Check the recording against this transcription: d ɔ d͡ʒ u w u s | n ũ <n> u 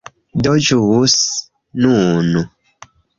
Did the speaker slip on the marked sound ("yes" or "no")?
no